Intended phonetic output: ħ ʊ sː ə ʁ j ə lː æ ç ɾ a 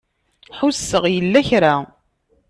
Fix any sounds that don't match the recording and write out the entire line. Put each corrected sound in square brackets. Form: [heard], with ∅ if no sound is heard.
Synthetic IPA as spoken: ħ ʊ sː ə ʁ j ə lː æ ç ɾ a